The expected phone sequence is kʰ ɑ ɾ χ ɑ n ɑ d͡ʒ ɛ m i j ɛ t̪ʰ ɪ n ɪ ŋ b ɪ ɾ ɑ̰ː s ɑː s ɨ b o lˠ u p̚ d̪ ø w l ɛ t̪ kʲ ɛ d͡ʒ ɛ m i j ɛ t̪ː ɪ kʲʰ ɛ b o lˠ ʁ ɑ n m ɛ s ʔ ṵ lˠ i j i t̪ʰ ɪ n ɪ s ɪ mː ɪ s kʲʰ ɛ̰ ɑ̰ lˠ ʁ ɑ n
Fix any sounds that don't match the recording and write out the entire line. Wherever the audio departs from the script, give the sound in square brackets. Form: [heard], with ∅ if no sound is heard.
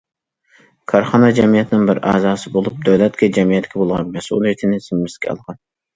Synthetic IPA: kʰ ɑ ɾ χ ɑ n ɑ d͡ʒ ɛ m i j ɛ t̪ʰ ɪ n ɪ ŋ b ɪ ɾ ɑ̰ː [z] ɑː s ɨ b o lˠ u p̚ d̪ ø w l ɛ t̪ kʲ ɛ d͡ʒ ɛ m i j ɛ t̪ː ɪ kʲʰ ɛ b o lˠ ʁ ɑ n m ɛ s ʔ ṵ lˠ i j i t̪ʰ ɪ n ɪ s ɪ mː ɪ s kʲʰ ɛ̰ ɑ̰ lˠ ʁ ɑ n